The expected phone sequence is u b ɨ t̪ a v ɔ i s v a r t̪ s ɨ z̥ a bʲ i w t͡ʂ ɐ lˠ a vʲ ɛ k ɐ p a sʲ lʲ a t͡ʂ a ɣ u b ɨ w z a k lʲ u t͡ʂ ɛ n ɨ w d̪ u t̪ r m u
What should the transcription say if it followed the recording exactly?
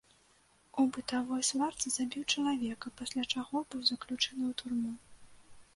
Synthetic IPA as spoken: u b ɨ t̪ a v ɔ j s v a r t̪ s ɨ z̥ a bʲ i w t͡ʂ ɐ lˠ a vʲ ɛ k ɐ p a sʲ lʲ a t͡ʂ a ɣ ɔ b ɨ w z ɐ k lʲ u t͡ʂ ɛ n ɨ w t̪ u r m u